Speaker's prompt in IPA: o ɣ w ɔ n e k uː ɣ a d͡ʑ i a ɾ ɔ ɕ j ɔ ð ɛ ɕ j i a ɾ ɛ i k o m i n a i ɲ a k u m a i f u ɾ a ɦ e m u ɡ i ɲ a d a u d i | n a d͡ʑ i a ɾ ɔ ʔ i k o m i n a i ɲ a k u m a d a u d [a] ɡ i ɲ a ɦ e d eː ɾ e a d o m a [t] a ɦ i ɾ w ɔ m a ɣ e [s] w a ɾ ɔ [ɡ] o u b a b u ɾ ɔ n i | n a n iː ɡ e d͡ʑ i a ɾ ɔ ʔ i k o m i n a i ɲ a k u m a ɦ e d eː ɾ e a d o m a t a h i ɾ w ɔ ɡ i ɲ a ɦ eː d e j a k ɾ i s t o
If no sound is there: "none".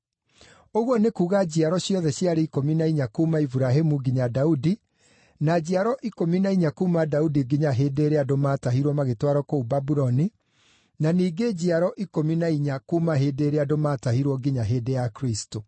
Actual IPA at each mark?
i, t, t, k

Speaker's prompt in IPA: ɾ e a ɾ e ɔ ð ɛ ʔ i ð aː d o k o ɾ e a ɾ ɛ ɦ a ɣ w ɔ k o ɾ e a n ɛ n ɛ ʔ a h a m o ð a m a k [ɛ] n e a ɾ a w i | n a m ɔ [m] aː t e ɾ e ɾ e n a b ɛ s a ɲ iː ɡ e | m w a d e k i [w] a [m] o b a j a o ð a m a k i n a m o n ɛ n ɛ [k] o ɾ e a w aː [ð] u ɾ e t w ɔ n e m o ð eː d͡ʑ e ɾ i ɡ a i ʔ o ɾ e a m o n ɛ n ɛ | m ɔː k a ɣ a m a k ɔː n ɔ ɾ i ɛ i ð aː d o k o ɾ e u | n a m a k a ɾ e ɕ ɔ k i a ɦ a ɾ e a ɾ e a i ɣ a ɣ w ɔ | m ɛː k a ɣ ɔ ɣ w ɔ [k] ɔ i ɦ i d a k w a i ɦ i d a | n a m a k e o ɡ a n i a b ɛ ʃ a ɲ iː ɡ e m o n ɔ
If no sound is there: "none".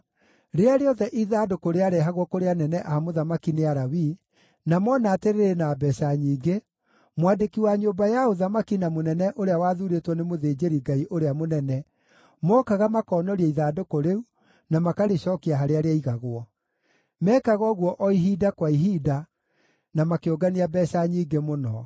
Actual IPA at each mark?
i, n, w, ɲ, ʔ, ð, ʔ

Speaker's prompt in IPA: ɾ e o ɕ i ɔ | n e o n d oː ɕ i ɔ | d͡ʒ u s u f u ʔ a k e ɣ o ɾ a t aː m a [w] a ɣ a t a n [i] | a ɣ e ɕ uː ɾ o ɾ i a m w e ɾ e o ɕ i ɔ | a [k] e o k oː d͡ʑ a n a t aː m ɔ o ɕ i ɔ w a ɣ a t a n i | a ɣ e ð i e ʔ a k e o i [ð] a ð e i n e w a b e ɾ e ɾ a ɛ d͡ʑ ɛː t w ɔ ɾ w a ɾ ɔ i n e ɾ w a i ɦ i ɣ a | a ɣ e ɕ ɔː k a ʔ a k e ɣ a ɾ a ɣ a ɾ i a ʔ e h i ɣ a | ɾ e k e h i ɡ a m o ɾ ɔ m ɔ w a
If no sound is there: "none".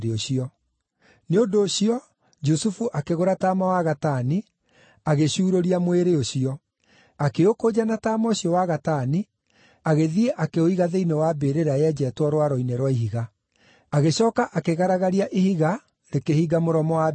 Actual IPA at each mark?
w, i, k, ɣ

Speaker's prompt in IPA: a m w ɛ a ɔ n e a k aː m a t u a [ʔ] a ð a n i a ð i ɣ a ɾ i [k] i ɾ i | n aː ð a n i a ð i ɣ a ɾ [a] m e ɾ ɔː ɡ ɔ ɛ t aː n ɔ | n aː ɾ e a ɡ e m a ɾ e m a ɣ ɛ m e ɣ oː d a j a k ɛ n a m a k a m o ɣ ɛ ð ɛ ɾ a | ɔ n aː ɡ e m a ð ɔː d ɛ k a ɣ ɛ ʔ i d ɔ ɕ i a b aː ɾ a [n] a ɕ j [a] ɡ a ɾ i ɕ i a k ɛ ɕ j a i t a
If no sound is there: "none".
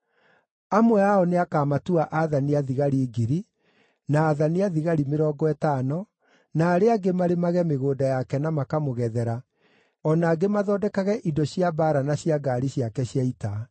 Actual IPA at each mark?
ʔ, ɡ, i, n, a

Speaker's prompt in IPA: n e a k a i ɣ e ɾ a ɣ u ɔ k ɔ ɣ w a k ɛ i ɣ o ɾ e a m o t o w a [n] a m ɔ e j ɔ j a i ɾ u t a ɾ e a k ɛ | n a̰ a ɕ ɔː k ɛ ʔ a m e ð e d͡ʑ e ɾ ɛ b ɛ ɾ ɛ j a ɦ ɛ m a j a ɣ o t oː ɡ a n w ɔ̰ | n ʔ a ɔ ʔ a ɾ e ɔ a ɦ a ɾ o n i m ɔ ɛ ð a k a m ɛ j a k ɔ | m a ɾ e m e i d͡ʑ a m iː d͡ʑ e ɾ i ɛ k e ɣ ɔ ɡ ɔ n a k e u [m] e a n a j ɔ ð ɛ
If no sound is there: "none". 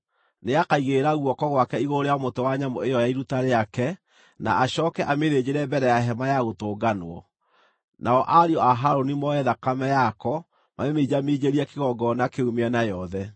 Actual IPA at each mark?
ɲ, m

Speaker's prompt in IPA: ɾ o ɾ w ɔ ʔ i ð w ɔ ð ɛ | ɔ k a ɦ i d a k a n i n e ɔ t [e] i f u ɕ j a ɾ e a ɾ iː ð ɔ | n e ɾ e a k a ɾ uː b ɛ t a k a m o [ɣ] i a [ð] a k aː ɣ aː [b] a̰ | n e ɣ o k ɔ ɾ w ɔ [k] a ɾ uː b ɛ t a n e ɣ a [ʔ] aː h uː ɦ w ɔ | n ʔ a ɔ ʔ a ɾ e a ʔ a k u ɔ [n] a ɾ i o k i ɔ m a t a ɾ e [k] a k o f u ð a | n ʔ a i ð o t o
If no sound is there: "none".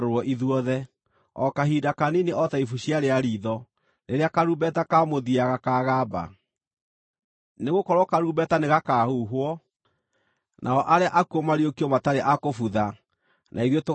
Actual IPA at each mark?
a, ð, ɣ, b, k, k, m, ʔ

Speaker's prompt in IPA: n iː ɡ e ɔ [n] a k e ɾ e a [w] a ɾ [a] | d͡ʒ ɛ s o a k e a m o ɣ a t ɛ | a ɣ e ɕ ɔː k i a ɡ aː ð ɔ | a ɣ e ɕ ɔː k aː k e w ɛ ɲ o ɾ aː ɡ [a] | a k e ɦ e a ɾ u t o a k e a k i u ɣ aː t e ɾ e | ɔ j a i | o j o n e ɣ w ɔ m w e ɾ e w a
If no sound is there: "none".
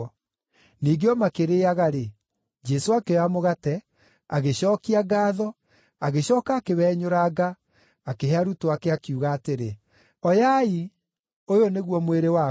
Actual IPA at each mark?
m, ɣ, e, a

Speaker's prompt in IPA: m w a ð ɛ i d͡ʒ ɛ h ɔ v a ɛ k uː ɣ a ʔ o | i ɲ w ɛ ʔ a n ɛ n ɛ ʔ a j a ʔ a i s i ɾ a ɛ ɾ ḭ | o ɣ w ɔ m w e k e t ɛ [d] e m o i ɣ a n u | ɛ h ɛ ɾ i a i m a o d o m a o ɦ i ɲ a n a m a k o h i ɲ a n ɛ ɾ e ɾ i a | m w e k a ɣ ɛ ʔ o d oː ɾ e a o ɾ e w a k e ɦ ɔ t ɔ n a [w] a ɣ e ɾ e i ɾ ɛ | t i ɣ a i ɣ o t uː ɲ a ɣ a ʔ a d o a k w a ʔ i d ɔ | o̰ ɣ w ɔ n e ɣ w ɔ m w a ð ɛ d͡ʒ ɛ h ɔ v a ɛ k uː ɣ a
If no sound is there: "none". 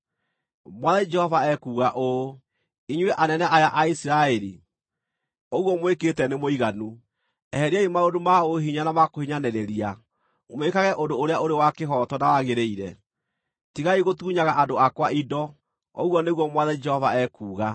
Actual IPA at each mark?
n, w

